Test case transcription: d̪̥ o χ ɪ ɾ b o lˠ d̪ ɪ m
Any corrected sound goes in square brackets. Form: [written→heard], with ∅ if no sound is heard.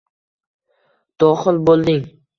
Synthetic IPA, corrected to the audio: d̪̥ [o→ɒ] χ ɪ [ɾ→l] b o lˠ d̪ ɪ [m→ŋ]